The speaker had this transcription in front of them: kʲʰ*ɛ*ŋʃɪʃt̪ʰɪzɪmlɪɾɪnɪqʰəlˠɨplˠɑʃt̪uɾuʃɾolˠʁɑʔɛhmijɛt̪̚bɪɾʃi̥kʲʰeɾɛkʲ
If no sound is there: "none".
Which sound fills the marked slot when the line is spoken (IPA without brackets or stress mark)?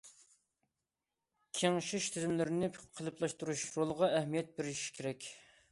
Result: e